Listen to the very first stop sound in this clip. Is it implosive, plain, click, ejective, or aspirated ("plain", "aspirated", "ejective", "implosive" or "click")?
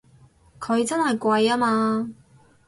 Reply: aspirated